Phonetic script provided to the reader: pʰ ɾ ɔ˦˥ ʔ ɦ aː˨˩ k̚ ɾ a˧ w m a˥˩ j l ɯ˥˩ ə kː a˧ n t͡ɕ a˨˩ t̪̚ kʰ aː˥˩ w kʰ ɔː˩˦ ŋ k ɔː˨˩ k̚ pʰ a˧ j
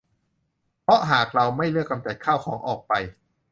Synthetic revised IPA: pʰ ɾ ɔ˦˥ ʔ ɦ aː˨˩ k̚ ɾ a˧ w m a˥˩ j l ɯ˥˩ ə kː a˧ m t͡ɕ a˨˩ t̪̚ kʰ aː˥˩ w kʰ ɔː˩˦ ŋ ʔ ɔː˨˩ k̚ p a˧ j